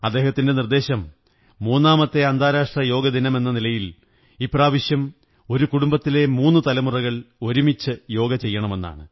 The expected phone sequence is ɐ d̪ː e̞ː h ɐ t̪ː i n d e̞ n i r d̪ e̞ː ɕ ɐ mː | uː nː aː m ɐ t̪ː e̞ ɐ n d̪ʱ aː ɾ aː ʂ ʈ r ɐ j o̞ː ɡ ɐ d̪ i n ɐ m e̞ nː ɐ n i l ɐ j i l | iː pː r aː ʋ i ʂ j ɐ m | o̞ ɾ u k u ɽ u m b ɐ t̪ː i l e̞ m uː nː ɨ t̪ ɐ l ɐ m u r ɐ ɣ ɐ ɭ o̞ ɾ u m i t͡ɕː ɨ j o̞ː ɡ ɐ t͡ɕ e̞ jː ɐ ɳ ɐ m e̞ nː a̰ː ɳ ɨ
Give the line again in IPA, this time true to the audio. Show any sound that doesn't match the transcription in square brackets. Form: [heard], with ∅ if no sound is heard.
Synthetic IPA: ɐ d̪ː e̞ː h ɐ t̪ː i n d e̞ n i r d̪ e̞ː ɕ ɐ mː | uː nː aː m ɐ t̪ː e̞ ɐ n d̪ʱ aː ɾ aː ʂ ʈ r ɐ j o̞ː ɡ ɐ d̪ i n ɐ m e̞ nː ɐ n i l ɐ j i l | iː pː r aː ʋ i [ɕ] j ɐ m | o̞ ɾ u k u ɽ u m b ɐ t̪ː i l e̞ m uː nː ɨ t̪ ɐ l ɐ m u r ɐ ɣ ɐ ɭ o̞ ɾ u m i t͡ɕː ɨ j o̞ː ɡ ɐ t͡ɕ e̞ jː ɐ ɳ ɐ m e̞ nː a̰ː ɳ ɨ

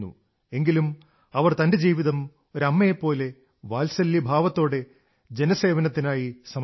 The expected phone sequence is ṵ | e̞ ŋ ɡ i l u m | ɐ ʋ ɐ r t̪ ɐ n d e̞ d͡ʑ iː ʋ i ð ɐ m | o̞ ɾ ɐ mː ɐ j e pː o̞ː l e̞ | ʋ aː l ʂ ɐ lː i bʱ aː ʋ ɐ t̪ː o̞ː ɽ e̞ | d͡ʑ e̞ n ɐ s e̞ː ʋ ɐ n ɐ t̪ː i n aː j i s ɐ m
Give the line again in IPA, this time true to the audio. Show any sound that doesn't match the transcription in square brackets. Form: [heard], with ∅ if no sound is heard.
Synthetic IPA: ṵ | e̞ ŋ ɡ i l u m | ɐ ʋ ɐ r t̪ ɐ n d e̞ d͡ʑ iː ʋ i ð ɐ m | o̞ ɾ ɐ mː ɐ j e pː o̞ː l e̞ | ʋ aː l [s] ɐ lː i bʱ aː ʋ ɐ t̪ː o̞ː ɽ e̞ | d͡ʑ e̞ n ɐ s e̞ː ʋ ɐ n ɐ t̪ː i n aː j i s ɐ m

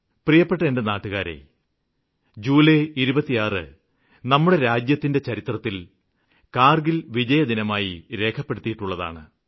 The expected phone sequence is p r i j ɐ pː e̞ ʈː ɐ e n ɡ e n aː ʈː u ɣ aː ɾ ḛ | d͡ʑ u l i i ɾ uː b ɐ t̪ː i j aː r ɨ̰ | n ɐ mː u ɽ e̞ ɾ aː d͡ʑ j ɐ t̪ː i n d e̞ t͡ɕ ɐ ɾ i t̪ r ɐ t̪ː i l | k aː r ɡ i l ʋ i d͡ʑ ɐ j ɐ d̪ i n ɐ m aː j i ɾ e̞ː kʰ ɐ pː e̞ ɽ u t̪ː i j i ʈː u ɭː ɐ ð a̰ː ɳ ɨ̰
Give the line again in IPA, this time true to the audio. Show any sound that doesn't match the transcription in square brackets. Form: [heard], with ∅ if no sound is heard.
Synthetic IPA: p r i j ɐ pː e̞ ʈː ɐ e n [d] e n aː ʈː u ɣ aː ɾ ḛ | d͡ʑ [uː] l [e] i ɾ [u] b ɐ t̪ː i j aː r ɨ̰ | n ɐ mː u ɽ e̞ ɾ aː d͡ʑ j ɐ t̪ː i n d e̞ t͡ɕ ɐ ɾ i t̪ r ɐ t̪ː i l | k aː r ɡ i l ʋ i d͡ʑ ɐ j ɐ d̪ i n ɐ m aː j i ɾ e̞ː kʰ ɐ pː e̞ ɽ u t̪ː i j i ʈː u ɭː ɐ ð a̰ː ɳ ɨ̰

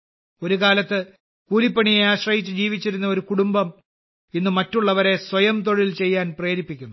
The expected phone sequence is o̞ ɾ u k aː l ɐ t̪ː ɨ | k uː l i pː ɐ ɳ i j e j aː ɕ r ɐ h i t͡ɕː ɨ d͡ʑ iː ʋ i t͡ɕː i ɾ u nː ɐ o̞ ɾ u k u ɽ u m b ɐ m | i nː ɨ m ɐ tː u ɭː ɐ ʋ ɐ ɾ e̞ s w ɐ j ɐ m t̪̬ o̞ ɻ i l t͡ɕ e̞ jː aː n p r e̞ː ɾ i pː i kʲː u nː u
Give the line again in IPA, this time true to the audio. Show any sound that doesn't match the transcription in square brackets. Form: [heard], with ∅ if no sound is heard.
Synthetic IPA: o̞ ɾ u k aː l ɐ t̪ː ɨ | k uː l i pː ɐ ɳ i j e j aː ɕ r ɐ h i t͡ɕː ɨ d͡ʑ iː ʋ i t͡ɕː i ɾ u nː ɐ o̞ ɾ u k u ɽ u m b ɐ m | i nː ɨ m ɐ tː u ɭː ɐ ʋ ɐ ɾ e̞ s w ɐ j ɐ m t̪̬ o̞ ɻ i l t͡ɕ e̞ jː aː n p r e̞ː ɾ i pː i kʲː u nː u

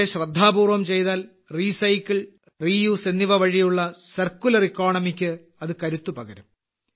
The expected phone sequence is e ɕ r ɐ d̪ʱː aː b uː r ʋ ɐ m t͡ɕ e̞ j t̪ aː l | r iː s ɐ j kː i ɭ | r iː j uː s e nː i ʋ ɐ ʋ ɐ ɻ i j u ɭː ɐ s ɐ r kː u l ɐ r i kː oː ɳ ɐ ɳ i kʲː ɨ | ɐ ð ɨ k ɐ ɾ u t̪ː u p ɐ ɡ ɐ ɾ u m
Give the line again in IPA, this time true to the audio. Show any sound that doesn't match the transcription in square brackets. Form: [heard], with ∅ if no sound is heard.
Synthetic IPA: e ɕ r ɐ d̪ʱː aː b uː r ʋ ɐ m t͡ɕ e̞ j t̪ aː l | r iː s ɐ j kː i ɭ | r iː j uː s e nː i ʋ ɐ ʋ ɐ ɻ i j u ɭː ɐ s ɐ r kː u l ɐ r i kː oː ɳ ɐ [m] i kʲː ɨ | ɐ ð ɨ k ɐ ɾ u t̪ː u p ɐ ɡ ɐ ɾ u m

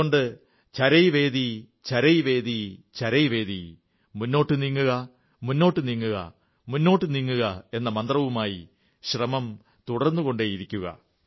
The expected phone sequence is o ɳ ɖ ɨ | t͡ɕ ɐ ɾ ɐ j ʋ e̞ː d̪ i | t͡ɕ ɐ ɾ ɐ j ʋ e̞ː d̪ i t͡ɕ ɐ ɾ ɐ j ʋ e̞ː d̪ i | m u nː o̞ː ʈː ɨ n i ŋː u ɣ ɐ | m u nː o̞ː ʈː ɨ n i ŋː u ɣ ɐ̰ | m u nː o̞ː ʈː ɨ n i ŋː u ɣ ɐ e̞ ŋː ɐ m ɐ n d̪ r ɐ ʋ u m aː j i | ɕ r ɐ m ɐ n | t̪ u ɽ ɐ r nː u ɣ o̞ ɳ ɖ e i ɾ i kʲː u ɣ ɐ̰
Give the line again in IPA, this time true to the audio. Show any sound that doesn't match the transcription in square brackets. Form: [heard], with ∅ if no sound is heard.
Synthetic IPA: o ɳ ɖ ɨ | t͡ɕ ɐ ɾ ɐ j ʋ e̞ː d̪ i | t͡ɕ ɐ ɾ ɐ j ʋ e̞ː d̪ i t͡ɕ ɐ ɾ ɐ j ʋ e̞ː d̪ i | m u nː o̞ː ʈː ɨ n i ŋː u ɣ ɐ | m u nː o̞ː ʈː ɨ n i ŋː u ɣ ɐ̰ | m u nː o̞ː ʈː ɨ n i ŋː u ɣ ɐ e̞ [nː] ɐ m ɐ n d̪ r ɐ ʋ u m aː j i | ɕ r ɐ m ɐ [m] | t̪ u ɽ ɐ r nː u ɣ o̞ ɳ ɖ e i ɾ i kʲː u ɣ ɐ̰

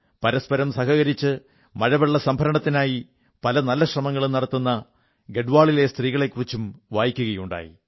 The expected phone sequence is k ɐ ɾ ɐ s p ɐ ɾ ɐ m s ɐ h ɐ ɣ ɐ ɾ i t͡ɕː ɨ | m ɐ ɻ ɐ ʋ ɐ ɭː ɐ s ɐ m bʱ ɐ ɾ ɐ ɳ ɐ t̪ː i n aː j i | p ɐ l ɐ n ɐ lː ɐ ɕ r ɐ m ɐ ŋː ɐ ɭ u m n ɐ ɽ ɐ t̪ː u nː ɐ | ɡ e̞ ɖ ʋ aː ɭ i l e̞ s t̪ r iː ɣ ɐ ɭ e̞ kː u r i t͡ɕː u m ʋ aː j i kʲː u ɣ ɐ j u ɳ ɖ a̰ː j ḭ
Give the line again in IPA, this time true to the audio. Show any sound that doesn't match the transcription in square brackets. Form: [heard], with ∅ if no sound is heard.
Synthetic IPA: [p] ɐ ɾ ɐ s p ɐ ɾ ɐ m s ɐ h ɐ ɣ ɐ ɾ i t͡ɕː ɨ | m ɐ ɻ ɐ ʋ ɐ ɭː ɐ s ɐ m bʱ ɐ ɾ ɐ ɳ ɐ t̪ː i n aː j i | p ɐ l ɐ n ɐ lː ɐ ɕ r ɐ m ɐ ŋː ɐ ɭ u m n ɐ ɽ ɐ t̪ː u nː ɐ | ɡ e̞ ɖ ʋ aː ɭ i l e̞ s t̪ r iː ɣ ɐ ɭ e̞ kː u r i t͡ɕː u m ʋ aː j i kʲː u ɣ ɐ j u ɳ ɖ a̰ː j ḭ

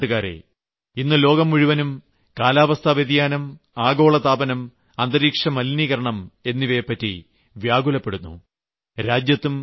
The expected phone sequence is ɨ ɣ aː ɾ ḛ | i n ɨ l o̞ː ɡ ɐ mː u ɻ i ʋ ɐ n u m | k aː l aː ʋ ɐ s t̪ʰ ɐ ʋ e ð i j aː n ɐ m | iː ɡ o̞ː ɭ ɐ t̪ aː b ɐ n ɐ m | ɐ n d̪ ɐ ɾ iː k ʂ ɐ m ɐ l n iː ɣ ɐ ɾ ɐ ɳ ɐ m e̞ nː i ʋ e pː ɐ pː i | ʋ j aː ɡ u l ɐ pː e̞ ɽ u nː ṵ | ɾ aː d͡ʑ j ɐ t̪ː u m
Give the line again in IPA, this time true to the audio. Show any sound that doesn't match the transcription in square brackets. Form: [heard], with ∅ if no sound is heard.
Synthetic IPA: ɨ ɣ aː ɾ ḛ | i [nː] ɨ l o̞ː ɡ ɐ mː u ɻ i ʋ ɐ n u m | k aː l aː ʋ ɐ s t̪ʰ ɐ ʋ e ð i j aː n ɐ m | [aː] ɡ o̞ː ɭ ɐ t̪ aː b ɐ n ɐ m | ɐ n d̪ ɐ ɾ iː k ʂ ɐ m ɐ l n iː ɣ ɐ ɾ ɐ ɳ ɐ m e̞ nː i ʋ e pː ɐ [tː] i | ʋ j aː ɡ u l ɐ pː e̞ ɽ u nː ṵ | ɾ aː d͡ʑ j ɐ t̪ː u m

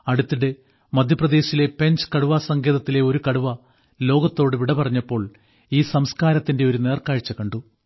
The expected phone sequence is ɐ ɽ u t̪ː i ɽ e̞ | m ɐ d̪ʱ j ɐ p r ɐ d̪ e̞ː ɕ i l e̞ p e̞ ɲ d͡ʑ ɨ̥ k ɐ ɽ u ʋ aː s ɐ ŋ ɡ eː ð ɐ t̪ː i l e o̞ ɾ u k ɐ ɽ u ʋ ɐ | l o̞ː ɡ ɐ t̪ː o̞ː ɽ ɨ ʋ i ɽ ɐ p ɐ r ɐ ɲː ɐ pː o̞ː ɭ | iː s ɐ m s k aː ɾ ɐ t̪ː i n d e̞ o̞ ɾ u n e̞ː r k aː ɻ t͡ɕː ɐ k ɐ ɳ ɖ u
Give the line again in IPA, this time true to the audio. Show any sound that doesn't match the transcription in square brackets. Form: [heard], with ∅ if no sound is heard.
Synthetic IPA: ɐ ɽ u t̪ː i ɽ e̞ | m ɐ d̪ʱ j ɐ p r ɐ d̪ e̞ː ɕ i l e̞ p e̞ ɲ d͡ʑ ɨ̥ k ɐ ɽ u ʋ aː s ɐ ŋ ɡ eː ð ɐ t̪ː i l e o̞ ɾ u k ɐ ɽ u ʋ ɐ | l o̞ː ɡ ɐ t̪ː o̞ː ɽ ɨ ʋ i ɽ ɐ p ɐ r ɐ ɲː ɐ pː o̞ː ɭ | iː s ɐ m s k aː ɾ ɐ t̪ː i n d e̞ o̞ ɾ u n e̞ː r k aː ɻ t͡ɕː ɐ k ɐ ɳ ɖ u

